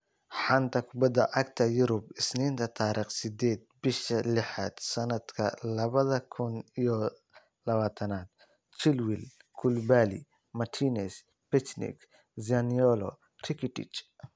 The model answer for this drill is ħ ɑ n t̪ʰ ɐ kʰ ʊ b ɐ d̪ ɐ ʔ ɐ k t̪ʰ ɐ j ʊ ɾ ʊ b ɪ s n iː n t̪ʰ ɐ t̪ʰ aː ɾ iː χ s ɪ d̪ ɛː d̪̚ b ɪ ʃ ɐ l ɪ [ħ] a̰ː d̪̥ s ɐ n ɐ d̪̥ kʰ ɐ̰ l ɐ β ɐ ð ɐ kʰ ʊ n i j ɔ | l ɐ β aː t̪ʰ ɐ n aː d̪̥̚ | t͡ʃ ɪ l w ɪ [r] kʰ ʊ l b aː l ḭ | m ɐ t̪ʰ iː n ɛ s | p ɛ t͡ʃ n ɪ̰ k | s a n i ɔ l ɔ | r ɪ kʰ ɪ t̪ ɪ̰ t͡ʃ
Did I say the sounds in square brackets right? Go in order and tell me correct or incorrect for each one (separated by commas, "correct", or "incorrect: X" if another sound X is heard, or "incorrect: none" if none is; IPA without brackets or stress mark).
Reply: correct, incorrect: l